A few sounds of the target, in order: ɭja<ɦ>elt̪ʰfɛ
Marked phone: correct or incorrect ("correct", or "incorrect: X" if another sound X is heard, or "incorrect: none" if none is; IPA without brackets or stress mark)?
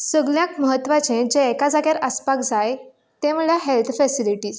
correct